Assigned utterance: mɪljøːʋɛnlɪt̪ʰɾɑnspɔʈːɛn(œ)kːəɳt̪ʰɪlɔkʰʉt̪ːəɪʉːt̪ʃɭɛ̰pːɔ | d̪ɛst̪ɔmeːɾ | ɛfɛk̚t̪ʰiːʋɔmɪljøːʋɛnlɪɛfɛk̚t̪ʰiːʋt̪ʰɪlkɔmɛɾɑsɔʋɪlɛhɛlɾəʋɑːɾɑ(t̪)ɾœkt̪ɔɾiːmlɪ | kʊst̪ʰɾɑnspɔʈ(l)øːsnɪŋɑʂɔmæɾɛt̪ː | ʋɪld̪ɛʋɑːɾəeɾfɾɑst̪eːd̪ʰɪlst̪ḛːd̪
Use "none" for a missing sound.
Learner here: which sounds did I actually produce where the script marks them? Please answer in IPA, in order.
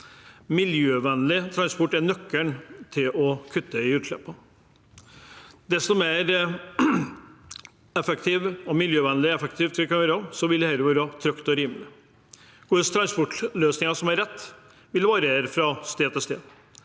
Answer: œ, t̪ʰ, l

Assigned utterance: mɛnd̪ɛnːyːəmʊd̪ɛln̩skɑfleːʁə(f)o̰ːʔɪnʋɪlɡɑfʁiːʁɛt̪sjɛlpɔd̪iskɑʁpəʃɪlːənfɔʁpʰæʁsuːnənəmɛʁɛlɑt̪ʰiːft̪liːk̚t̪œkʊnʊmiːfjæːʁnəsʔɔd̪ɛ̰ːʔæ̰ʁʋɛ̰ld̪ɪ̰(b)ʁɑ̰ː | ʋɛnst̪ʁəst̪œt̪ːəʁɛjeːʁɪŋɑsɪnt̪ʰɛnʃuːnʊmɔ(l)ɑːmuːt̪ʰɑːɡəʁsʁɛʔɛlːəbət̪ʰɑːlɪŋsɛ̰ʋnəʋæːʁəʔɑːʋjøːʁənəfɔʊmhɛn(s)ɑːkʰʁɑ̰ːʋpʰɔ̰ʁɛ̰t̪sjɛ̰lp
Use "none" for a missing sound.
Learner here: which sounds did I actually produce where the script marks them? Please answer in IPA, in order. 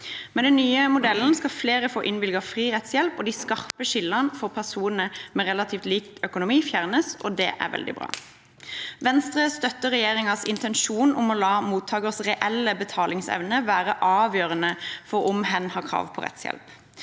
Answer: f, b, l, h

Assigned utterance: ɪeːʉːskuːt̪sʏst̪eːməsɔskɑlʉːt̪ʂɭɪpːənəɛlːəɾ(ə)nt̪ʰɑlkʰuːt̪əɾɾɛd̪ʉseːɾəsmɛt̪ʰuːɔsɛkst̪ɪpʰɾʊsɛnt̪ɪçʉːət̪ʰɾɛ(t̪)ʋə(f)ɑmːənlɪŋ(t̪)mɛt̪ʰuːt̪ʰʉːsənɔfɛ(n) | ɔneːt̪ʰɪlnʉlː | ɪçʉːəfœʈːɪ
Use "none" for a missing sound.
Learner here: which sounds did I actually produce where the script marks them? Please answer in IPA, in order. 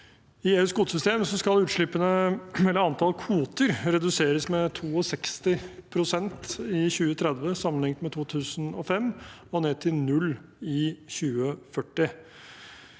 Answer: ɑ, d̪, s, t̪, m

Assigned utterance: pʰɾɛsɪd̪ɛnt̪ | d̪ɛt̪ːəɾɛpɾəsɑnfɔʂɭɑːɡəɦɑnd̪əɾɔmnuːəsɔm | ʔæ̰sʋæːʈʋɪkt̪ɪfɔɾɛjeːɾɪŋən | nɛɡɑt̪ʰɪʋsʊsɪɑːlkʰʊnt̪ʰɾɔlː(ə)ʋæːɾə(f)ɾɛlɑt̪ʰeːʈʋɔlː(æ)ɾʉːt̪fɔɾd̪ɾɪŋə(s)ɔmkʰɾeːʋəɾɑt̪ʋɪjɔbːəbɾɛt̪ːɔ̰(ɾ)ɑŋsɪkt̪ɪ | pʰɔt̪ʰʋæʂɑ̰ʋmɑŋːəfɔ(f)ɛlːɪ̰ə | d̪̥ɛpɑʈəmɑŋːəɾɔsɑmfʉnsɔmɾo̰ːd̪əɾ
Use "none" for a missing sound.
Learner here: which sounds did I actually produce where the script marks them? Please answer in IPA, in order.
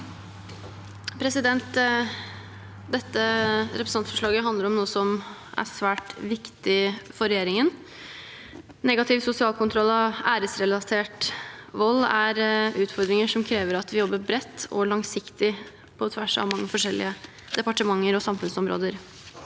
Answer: ɑ, s, æ, ʂ, ɭ, ʂ

